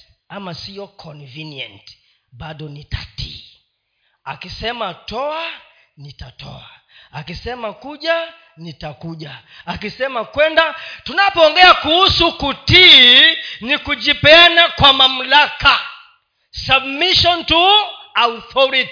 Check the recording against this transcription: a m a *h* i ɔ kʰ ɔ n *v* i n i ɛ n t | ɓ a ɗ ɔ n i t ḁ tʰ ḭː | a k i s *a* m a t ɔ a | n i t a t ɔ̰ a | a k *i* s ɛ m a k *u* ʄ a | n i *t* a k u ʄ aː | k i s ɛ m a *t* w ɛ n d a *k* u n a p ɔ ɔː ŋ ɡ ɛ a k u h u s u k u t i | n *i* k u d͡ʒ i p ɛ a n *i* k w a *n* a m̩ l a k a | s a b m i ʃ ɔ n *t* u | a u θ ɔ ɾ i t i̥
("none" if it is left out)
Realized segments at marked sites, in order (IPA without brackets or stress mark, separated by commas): s, v, ɛ, i, u, t, k, t, i, a, m, t